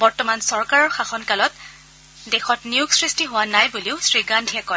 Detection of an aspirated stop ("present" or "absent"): absent